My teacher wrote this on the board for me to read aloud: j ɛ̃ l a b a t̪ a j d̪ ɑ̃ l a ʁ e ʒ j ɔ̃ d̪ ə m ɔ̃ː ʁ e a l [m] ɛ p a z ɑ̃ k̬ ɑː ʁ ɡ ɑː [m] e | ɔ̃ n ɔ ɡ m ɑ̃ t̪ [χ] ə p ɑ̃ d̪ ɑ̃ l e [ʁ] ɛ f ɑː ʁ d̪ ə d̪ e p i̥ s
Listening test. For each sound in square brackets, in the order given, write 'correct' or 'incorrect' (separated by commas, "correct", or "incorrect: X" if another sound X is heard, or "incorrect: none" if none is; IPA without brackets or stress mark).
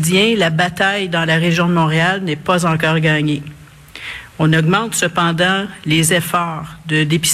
incorrect: n, incorrect: ɲ, incorrect: s, incorrect: z